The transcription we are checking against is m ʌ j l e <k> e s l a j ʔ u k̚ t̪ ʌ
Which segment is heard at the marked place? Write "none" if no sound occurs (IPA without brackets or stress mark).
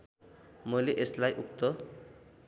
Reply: ʔ